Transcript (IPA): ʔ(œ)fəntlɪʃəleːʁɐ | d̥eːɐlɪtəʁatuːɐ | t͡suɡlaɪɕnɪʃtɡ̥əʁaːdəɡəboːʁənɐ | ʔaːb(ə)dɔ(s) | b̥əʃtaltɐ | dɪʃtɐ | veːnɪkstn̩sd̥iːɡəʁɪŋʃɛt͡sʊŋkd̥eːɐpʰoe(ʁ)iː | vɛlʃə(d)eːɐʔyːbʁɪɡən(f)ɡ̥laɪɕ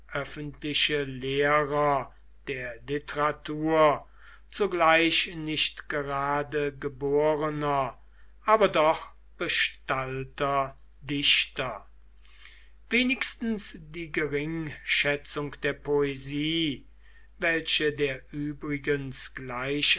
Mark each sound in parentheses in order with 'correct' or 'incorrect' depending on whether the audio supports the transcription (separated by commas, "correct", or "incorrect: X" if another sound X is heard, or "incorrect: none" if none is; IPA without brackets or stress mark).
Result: correct, incorrect: ɐ, incorrect: χ, incorrect: z, correct, incorrect: s